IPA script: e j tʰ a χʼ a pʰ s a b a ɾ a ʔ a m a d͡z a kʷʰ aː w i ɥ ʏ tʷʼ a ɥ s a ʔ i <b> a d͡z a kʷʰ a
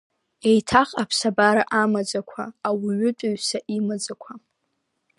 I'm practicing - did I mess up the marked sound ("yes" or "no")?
yes